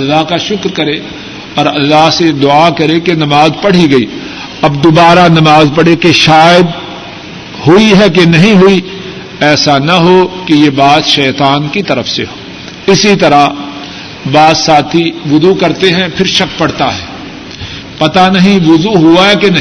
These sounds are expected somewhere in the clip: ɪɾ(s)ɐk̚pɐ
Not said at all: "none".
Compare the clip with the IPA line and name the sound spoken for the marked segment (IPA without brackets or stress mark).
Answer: ʃ